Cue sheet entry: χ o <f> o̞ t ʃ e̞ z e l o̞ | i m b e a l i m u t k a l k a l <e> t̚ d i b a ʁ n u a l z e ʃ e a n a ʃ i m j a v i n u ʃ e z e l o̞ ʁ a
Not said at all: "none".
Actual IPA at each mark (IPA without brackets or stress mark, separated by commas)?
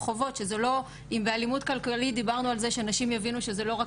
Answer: v, i